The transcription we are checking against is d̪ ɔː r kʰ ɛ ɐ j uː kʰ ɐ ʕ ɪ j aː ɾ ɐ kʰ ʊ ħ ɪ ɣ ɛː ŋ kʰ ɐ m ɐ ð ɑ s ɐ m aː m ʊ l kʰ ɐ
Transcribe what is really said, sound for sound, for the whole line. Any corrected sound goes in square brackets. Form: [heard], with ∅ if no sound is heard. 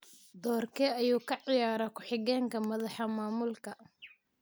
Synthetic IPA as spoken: d̪ ɔː r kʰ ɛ ɐ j uː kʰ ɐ ʕ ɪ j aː ɾ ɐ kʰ ʊ ħ ɪ ɣ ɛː ŋ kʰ ɐ m ɐ ð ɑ [ħ] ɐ m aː m ʊ l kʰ ɐ